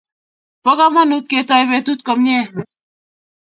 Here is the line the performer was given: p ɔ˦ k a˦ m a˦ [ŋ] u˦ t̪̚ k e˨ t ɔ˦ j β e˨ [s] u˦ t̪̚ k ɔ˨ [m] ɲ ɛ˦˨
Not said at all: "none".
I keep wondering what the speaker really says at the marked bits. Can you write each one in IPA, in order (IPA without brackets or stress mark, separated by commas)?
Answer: n, t, m